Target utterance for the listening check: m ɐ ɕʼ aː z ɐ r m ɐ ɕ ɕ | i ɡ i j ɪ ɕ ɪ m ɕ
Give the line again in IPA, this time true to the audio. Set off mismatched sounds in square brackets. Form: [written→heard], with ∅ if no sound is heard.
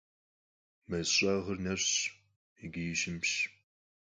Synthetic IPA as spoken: m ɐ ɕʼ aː [z→ʁ] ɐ r [m→n] ɐ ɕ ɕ | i ɡ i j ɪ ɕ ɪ m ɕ